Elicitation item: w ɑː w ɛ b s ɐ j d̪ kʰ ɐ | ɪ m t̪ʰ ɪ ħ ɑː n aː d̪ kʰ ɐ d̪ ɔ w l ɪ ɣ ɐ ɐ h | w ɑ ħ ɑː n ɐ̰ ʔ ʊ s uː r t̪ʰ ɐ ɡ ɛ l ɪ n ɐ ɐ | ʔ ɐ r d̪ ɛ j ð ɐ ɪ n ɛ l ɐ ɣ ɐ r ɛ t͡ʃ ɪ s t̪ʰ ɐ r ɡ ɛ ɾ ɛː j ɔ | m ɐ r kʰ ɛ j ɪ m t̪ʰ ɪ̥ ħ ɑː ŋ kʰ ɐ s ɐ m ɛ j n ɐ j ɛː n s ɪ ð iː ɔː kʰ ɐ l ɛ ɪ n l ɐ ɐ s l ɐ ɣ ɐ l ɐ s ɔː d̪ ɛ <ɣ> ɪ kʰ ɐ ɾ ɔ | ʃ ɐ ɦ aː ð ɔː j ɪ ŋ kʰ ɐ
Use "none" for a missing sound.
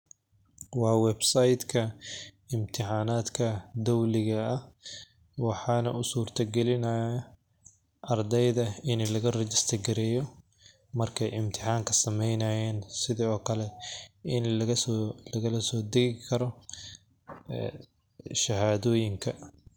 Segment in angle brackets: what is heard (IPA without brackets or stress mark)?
ɣ